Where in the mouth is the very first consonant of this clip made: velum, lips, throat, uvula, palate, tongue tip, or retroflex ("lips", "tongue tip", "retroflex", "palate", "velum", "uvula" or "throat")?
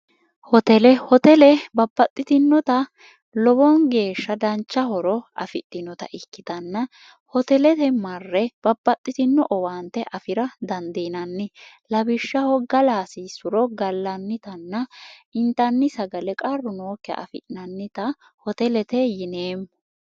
throat